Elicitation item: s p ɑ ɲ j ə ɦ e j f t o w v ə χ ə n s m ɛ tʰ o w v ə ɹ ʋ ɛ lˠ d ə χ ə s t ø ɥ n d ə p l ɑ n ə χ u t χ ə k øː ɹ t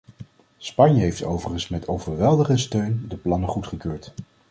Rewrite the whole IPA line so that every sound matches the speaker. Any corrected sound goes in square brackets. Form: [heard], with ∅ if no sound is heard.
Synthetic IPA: s p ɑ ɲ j ə ɦ e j f t o w v ə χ ə n s m ɛ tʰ o w v ə ɹ ʋ ɛ lˠ d ə χ ə s t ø ɥ n d ə p l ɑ n ə χ u t χ ə k øː ɹ t